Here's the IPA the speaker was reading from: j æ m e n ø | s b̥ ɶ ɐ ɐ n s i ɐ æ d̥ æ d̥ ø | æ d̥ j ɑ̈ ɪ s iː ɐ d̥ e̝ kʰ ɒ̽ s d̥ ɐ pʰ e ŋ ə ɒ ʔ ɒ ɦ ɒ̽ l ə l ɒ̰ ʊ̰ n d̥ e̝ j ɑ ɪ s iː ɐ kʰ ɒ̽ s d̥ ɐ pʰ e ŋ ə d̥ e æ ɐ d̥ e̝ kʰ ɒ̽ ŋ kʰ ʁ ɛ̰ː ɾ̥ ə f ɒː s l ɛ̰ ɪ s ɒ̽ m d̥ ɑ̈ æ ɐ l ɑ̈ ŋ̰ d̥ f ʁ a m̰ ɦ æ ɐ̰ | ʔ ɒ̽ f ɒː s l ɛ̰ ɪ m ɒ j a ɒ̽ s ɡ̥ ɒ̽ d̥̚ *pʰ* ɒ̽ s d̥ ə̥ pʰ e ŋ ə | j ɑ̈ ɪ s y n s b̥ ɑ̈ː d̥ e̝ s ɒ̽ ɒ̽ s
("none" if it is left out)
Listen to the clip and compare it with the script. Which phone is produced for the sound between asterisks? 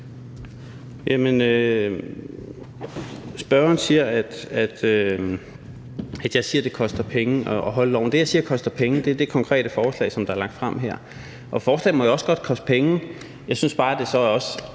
kʰ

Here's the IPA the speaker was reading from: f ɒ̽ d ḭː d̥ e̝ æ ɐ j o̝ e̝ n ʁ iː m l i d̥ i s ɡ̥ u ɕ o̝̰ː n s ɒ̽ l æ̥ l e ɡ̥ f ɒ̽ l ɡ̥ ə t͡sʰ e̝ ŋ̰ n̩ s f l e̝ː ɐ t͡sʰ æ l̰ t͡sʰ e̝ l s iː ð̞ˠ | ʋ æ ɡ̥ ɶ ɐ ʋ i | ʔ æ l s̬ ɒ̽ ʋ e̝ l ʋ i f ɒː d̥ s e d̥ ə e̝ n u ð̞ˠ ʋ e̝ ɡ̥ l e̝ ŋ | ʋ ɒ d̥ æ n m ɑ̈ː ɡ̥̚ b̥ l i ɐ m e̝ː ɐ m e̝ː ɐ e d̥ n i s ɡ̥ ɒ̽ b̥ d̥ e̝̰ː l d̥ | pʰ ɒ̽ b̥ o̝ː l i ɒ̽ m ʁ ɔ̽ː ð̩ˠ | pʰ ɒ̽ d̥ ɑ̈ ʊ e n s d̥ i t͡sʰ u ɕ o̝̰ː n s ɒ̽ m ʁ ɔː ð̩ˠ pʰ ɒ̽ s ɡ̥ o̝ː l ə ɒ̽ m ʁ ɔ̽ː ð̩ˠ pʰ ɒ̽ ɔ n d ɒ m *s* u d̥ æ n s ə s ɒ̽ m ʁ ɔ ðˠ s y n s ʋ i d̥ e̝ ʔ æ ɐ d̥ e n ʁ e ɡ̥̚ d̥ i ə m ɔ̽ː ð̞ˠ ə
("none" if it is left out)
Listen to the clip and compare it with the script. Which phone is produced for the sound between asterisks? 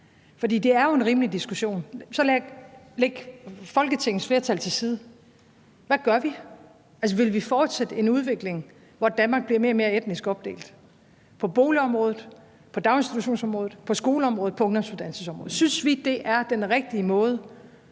s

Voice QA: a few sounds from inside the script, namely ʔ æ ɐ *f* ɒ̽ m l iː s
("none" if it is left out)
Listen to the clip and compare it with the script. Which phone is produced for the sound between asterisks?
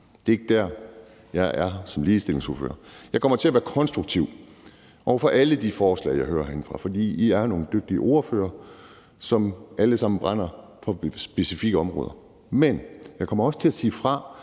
s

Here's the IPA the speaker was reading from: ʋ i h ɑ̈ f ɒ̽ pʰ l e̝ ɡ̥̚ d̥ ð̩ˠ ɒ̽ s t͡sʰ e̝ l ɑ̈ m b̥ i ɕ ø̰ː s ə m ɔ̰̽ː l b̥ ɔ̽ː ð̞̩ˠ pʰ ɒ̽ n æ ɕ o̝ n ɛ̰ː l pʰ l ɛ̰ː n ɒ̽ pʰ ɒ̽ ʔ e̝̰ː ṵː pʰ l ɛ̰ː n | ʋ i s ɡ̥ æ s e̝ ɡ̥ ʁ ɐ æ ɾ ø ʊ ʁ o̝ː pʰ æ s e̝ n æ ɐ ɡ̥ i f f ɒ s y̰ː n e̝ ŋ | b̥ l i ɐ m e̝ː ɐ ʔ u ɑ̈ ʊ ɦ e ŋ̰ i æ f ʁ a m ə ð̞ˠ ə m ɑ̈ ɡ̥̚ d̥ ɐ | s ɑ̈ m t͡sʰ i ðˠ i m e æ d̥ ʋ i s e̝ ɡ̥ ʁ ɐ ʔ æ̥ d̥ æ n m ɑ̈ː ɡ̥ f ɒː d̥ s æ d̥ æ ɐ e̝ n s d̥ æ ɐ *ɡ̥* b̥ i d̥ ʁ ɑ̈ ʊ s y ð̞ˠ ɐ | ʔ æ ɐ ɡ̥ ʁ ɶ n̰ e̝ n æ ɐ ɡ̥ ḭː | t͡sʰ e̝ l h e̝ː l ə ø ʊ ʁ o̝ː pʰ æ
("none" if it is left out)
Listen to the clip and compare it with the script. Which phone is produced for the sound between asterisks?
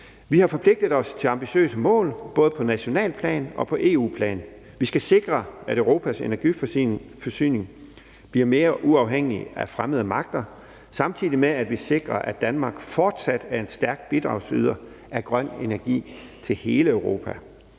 ɡ̥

